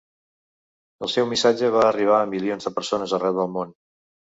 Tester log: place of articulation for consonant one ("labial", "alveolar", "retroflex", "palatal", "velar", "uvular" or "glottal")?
alveolar